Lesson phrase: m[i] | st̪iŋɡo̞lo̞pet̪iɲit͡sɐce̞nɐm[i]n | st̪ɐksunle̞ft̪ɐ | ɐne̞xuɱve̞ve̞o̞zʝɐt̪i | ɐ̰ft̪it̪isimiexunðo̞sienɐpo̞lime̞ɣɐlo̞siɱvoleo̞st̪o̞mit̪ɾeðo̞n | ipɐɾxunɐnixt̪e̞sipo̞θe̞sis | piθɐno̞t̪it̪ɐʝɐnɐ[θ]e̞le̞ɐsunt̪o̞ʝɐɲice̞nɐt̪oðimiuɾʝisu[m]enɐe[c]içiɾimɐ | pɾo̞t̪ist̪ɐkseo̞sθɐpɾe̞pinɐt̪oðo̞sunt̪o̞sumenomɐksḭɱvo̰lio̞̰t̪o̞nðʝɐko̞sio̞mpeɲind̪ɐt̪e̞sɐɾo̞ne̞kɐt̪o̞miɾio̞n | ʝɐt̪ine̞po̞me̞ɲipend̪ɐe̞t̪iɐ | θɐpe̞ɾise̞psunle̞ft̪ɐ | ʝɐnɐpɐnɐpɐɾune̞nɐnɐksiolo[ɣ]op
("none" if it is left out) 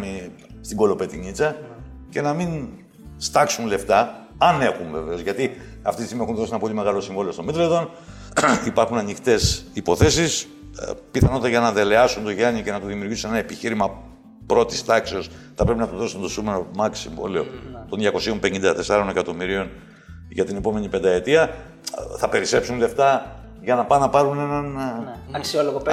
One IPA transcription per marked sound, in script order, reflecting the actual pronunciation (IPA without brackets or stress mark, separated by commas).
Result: i, i, ð, n, p, ɣ